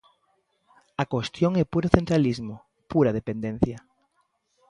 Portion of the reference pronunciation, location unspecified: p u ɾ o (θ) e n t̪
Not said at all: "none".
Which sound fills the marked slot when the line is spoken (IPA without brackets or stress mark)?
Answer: θ